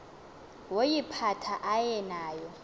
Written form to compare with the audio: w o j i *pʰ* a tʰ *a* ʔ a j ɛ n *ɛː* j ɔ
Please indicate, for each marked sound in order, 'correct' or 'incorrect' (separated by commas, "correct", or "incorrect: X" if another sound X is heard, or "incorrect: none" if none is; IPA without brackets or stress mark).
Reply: correct, correct, incorrect: aː